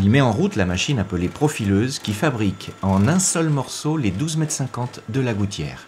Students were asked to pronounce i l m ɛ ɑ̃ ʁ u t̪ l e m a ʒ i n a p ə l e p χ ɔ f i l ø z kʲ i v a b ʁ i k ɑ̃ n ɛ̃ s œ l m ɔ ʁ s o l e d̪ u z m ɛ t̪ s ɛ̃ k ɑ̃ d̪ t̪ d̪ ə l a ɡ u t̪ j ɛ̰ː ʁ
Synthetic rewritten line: i l m ɛ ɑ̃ ʁ u t̪ l a m a ʃ i n a p ə l e p χ ɔ f i l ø z kʲ i f a b ʁ i k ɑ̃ n ɛ̃ s œ l m ɔ ʁ s o l e d̪ u z m ɛ t̪ s ɛ̃ k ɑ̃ t̪ d̪ ə l a ɡ u t̪ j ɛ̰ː ʁ